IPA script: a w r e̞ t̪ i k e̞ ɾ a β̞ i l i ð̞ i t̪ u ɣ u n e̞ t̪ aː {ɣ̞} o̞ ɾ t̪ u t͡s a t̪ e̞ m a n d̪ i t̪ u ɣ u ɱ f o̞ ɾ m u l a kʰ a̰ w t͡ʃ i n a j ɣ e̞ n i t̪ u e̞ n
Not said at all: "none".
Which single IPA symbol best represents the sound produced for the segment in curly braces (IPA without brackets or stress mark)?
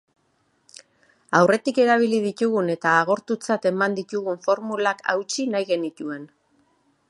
ɣ̞